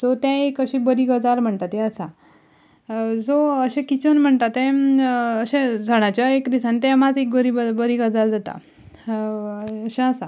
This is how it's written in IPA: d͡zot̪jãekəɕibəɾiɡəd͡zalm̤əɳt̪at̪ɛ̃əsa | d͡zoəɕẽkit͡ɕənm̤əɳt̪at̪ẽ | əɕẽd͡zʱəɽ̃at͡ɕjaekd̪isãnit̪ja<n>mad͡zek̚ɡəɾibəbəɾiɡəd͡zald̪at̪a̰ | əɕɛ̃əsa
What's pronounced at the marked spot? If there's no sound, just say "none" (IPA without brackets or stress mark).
none